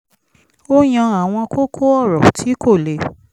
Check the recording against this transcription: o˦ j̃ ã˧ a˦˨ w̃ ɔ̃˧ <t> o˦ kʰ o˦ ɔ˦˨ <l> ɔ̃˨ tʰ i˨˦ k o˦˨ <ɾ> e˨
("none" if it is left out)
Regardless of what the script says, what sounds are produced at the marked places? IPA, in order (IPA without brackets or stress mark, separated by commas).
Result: k, ɾ, l